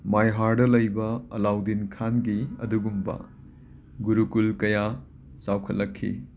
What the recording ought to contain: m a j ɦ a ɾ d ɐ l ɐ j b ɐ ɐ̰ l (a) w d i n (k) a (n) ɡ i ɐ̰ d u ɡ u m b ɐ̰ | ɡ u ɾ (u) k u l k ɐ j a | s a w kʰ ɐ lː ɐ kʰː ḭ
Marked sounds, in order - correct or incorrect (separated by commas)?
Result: correct, incorrect, correct, correct